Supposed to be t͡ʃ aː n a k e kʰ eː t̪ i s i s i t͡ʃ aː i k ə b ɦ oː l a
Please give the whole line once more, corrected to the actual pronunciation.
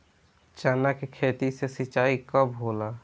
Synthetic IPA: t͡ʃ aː n a k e kʰ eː t̪ i s e s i t͡ʃ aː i k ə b ɦ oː l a